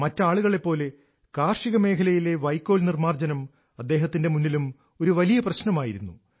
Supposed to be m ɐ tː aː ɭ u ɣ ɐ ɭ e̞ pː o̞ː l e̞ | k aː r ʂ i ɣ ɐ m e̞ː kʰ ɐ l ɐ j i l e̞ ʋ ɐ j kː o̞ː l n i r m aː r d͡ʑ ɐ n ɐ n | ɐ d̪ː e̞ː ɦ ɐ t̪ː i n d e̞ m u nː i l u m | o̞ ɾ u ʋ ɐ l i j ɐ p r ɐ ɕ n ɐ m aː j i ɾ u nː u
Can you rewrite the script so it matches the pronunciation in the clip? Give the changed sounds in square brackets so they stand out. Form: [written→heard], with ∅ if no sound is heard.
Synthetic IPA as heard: m ɐ tː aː ɭ u ɣ ɐ ɭ e̞ pː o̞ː l e̞ | k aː r ʂ i ɣ ɐ m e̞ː kʰ ɐ l ɐ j i l e̞ ʋ ɐ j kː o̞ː l n i r m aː r d͡ʑ ɐ n ɐ [n→m] | ɐ d̪ː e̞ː ɦ ɐ t̪ː i n d e̞ m u nː i l u m | o̞ ɾ u ʋ ɐ l i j ɐ p r ɐ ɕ n ɐ m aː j i ɾ u nː u